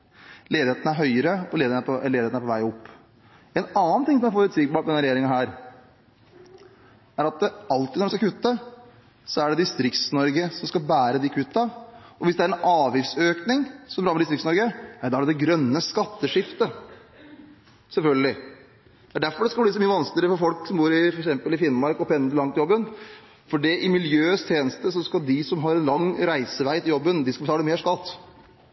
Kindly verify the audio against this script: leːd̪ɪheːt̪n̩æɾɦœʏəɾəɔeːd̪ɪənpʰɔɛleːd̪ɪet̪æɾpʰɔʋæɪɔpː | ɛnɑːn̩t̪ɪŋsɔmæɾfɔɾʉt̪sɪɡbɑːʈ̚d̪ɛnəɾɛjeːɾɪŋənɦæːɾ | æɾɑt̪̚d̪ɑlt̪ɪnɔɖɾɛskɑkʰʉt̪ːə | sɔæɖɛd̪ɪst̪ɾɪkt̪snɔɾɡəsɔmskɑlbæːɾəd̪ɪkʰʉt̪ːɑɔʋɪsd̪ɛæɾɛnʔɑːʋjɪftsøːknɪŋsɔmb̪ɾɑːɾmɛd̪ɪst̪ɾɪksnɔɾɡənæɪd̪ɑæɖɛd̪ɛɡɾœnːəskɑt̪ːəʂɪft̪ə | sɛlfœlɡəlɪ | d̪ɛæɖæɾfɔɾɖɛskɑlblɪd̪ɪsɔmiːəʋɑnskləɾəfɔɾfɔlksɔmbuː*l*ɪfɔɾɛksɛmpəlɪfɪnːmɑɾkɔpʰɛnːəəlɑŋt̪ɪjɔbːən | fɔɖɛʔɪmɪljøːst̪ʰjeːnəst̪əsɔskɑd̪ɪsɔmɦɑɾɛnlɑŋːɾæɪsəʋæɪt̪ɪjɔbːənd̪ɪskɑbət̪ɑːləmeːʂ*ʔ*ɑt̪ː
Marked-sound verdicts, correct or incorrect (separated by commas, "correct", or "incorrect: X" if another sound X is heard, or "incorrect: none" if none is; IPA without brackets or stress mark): incorrect: ɾ, incorrect: k